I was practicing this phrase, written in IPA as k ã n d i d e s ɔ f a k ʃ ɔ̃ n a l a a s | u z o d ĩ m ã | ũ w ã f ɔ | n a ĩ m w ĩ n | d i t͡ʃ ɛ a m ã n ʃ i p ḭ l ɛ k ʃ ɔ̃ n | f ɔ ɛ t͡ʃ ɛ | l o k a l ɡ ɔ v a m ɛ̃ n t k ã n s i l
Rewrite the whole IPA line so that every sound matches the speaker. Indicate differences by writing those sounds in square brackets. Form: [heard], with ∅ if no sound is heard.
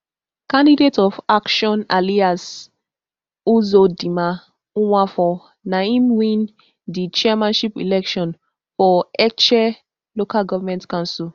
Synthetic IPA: k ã n d i d e [t] ɔ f a k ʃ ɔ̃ n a l [i] a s | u z o d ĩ m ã | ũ w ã f ɔ | n a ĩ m w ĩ n | d i t͡ʃ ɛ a m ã n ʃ i p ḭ l ɛ k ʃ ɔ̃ n | f ɔ ɛ t͡ʃ ɛ | l o k a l ɡ ɔ v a m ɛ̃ n t k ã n s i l